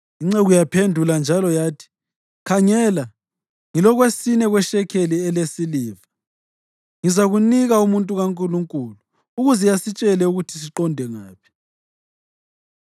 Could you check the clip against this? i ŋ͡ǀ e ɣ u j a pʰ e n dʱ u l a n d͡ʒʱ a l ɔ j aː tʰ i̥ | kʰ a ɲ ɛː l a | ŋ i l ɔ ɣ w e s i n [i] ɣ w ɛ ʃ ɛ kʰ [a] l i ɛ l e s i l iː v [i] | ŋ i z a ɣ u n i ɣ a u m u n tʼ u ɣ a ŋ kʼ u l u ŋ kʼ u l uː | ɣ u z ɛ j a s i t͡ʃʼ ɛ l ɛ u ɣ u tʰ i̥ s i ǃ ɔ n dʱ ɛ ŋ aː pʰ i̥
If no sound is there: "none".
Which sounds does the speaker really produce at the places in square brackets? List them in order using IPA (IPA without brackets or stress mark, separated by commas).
ɛ, e, a